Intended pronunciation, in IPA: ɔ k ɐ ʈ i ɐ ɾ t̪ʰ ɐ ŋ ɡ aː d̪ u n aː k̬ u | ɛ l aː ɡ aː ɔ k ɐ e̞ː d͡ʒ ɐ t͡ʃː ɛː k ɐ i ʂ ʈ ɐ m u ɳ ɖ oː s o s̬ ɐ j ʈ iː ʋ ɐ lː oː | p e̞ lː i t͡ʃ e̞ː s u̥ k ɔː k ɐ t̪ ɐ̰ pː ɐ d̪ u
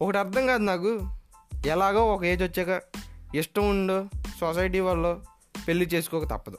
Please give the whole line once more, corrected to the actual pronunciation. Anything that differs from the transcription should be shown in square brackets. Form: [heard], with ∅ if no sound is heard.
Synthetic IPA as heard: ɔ k ɐ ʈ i ɐ ɾ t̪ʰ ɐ ŋ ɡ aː d̪ u n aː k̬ u | ɛ l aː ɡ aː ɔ k ɐ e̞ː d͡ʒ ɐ t͡ʃː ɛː k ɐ i ʂ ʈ ɐ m u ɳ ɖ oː s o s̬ ɐ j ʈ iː ʋ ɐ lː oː | p e̞ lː i t͡ʃ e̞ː s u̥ k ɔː k ɐ t̪ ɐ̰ pː ɐ d̪ u